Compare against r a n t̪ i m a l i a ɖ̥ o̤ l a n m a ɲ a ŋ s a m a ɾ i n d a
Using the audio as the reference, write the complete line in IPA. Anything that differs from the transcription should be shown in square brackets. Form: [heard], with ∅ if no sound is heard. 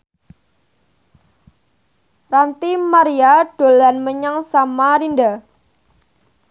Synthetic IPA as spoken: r a n t̪ i m a [ɾ] i a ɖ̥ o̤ l a n m [ə] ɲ a ŋ s a m a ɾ i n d a